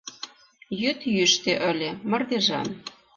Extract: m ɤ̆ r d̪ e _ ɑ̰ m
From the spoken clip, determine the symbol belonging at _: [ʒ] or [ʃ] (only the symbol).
ʒ